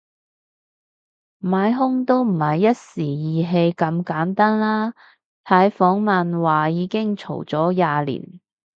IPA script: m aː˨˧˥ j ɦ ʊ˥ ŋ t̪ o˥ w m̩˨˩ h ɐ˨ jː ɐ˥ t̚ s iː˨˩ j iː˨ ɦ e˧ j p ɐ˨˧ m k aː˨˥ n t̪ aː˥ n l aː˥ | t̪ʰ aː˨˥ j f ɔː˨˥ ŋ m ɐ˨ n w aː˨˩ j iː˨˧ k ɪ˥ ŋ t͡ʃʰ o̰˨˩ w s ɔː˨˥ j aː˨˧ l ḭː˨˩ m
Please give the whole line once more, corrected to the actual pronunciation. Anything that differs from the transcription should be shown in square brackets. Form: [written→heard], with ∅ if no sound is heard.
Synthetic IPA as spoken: m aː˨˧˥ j ɦ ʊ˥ ŋ t̪ o˥ w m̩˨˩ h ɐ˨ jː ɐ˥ t̚ s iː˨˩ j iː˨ ɦ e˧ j [p→k] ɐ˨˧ m k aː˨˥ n t̪ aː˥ n l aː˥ | t̪ʰ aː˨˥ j f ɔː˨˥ ŋ m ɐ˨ n w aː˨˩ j iː˨˧ k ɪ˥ ŋ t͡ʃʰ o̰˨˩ w [s→t͡s] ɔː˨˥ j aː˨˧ l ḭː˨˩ [m→n]